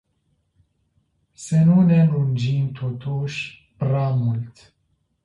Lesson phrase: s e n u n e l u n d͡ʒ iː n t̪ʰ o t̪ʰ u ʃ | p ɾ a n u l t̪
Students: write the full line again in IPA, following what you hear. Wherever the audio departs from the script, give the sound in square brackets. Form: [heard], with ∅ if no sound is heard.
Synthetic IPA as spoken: s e n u n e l u n d͡ʒ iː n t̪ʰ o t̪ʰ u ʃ | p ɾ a [m] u l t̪

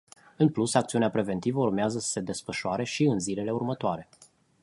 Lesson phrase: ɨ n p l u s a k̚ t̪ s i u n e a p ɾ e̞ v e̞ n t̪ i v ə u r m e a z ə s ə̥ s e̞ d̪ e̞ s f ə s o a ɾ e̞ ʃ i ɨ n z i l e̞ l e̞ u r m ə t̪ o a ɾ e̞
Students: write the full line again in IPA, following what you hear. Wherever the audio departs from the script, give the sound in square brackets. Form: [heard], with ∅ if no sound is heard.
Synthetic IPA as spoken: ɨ n p l u s a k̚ t̪ s i u n e a p ɾ e̞ v e̞ n t̪ i v ə u r m e a z ə s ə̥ s e̞ d̪ e̞ s f ə [ʃ] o a ɾ e̞ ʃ i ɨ n z i l e̞ l e̞ u r m ə t̪ o a ɾ e̞

